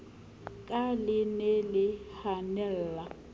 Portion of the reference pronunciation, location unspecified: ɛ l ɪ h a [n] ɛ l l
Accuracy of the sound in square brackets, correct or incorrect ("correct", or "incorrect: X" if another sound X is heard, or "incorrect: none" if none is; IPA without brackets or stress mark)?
correct